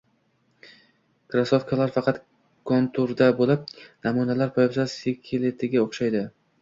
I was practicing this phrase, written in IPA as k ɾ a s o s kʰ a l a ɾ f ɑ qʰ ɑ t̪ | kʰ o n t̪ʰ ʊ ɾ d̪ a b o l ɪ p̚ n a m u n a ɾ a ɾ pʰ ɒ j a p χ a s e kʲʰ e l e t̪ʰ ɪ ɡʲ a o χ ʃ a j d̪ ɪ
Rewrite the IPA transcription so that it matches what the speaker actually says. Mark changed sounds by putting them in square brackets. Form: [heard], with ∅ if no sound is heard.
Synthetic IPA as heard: k ɾ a s o [f] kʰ a l a ɾ f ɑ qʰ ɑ t̪ | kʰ o n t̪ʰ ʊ ɾ d̪ a b o l ɪ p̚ n a m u n a [l] a ɾ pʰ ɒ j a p [s] a s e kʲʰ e l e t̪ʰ ɪ ɡʲ a o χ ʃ a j d̪ ɪ

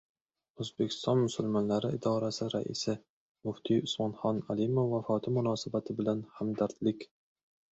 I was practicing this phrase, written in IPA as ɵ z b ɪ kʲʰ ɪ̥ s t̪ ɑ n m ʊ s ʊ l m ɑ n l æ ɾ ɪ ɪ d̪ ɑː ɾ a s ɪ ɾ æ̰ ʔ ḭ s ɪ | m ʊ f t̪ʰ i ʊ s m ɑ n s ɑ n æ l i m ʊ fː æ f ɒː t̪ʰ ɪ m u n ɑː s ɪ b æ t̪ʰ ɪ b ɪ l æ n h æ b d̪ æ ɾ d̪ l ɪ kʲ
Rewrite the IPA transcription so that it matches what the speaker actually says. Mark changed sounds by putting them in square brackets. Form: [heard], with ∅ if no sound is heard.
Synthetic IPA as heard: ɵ z b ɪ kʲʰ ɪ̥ s t̪ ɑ n m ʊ s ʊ l m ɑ n l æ ɾ ɪ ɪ d̪ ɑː ɾ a s ɪ ɾ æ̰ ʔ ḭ s ɪ | m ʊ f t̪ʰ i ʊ s m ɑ n [χ] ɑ n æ l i m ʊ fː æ f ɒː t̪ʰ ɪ m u n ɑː s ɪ b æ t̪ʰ ɪ b ɪ l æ n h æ [m] d̪ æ ɾ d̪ l ɪ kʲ

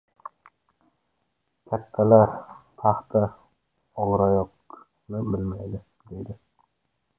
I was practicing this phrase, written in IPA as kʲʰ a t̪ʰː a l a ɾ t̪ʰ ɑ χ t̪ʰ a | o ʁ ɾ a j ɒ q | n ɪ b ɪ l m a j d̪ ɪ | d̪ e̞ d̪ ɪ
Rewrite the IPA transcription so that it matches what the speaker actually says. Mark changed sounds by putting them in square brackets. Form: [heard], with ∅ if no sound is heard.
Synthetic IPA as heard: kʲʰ a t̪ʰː a l a ɾ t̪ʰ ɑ χ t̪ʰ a | [ɒ] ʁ ɾ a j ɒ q | n ɪ b ɪ l m a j d̪ ɪ | d̪ e̞ d̪ ɪ

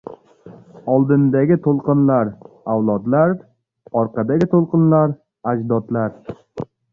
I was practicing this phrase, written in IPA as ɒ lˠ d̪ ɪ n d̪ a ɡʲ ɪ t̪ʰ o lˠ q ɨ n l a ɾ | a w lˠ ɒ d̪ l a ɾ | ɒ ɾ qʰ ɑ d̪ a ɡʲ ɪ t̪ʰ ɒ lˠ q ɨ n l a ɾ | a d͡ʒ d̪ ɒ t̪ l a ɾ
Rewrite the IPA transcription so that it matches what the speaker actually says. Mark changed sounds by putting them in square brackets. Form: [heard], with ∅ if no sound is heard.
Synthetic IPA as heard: ɒ lˠ d̪ ɪ n d̪ a ɡʲ ɪ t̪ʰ o lˠ q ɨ n l a ɾ | a w lˠ ɒ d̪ l a ɾ | ɒ ɾ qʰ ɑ d̪ a ɡʲ ɪ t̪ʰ [o] lˠ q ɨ n l a ɾ | a d͡ʒ d̪ ɒ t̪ l a ɾ

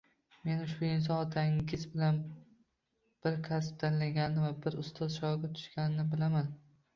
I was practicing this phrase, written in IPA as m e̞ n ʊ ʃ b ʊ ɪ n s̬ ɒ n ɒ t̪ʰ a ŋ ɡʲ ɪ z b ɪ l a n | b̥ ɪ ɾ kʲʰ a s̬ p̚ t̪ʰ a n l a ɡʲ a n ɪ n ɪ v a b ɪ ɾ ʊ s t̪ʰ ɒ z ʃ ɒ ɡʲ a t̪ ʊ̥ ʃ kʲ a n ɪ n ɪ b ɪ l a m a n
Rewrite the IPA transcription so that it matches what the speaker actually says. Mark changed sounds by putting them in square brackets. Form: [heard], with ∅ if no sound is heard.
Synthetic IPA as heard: m e̞ n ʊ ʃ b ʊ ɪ n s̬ ɒ n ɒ t̪ʰ a ŋ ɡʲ ɪ z b ɪ l a n | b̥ ɪ ɾ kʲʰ a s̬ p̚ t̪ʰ a n l a ɡʲ a n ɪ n ɪ v a b ɪ ɾ ʊ s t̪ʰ ɒ z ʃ ɒ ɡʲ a [t̪ʰ] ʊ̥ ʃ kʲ a n ɪ n ɪ b ɪ l a m a n

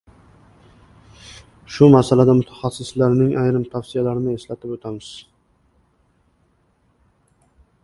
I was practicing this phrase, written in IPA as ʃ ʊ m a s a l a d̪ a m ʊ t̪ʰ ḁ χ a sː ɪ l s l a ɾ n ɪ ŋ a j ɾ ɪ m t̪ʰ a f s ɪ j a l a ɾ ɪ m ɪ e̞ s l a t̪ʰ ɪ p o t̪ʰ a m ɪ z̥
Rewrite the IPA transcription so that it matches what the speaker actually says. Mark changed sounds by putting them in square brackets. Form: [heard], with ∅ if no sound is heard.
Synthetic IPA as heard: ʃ ʊ m a s a l a d̪ a m ʊ t̪ʰ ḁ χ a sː ɪ [∅] s l a ɾ n ɪ ŋ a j ɾ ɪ m t̪ʰ a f s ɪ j a l a ɾ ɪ [n] ɪ e̞ s l a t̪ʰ ɪ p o t̪ʰ a m ɪ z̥

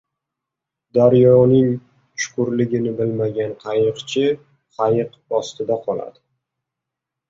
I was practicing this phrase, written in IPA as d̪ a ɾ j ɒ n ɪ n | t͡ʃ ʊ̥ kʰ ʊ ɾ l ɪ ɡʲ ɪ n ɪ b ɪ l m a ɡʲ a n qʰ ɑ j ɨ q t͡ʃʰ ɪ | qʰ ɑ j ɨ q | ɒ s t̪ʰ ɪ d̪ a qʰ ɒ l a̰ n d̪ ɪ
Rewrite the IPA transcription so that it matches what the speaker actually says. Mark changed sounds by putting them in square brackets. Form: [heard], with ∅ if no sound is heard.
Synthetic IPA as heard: d̪ a ɾ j ɒ n ɪ [ŋ] | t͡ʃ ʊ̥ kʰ ʊ ɾ l ɪ ɡʲ ɪ n ɪ b ɪ l m a ɡʲ a n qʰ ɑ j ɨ q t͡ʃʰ ɪ | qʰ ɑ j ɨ q | ɒ s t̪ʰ ɪ d̪ a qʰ ɒ l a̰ [∅] d̪ ɪ

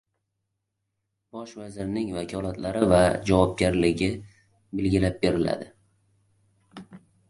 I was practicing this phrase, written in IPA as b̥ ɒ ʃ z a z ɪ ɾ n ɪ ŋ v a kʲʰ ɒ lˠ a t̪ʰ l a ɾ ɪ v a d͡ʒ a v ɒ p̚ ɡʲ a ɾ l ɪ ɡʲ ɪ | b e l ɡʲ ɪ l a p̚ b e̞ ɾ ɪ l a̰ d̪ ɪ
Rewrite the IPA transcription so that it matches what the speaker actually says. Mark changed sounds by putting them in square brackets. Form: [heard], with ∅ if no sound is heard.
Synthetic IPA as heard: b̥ ɒ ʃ [v] a z ɪ ɾ n ɪ ŋ v a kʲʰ ɒ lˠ a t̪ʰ l a ɾ ɪ v a d͡ʒ a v ɒ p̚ ɡʲ a ɾ l ɪ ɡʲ ɪ | b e l ɡʲ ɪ l a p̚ b e̞ ɾ ɪ l a̰ d̪ ɪ

